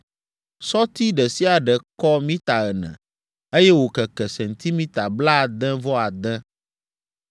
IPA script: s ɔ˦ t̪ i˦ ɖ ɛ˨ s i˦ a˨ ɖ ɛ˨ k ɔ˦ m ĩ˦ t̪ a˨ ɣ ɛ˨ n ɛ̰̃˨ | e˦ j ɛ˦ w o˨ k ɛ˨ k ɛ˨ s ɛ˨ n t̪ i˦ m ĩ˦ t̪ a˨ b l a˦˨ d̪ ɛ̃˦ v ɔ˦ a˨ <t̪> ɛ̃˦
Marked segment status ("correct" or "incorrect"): incorrect